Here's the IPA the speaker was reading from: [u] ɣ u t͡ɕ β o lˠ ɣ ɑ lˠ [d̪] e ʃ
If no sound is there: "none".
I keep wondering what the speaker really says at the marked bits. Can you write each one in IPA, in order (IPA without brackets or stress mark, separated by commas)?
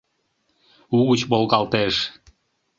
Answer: u, t̪